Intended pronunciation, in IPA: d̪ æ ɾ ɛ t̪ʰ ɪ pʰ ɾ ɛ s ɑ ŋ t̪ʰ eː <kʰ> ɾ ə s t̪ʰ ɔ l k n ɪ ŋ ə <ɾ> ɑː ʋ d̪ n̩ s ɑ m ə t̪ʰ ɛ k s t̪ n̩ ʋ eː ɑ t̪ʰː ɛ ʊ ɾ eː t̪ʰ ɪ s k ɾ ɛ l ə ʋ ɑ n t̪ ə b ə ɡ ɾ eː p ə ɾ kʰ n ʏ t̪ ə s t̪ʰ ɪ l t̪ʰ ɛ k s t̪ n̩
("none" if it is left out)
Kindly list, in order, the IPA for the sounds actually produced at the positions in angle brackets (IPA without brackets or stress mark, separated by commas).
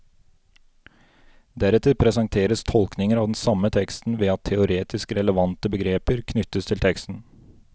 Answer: none, ɾ